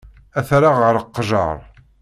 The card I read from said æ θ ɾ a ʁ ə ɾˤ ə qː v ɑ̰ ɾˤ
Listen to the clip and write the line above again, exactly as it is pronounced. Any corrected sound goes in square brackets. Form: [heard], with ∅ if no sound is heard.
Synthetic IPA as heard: æ θ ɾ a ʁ ə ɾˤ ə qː [ʒ] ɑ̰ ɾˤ